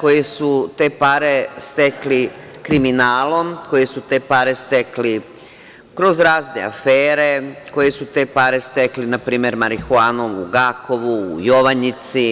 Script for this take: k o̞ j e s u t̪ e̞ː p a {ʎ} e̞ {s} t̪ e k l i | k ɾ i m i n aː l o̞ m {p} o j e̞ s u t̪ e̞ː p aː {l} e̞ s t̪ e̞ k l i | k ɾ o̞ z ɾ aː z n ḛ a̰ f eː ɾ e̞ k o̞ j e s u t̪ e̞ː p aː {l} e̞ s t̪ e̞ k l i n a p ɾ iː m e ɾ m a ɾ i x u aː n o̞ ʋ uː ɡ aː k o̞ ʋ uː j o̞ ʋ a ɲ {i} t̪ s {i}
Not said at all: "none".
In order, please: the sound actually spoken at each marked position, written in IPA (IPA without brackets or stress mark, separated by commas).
ɾ, s, k, ɾ, ɾ, i, i